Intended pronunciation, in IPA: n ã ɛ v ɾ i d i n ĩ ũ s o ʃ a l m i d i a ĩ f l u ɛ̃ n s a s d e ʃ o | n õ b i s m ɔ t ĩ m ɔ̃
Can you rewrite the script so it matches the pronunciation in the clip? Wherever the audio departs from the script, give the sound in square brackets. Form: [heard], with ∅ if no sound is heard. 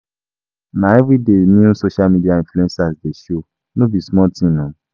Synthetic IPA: n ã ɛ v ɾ i d [e] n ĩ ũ s o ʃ a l m i d i a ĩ f l u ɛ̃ n s a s d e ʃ o | n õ b i s m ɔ t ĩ [n] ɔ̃